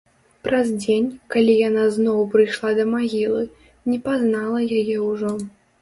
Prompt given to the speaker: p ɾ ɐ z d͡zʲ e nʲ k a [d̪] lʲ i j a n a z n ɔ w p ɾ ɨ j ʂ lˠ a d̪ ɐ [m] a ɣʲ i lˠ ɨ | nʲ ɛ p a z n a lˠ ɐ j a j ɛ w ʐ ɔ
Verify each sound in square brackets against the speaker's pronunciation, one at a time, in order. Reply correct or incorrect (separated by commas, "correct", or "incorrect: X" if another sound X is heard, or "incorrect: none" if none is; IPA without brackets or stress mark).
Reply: incorrect: none, correct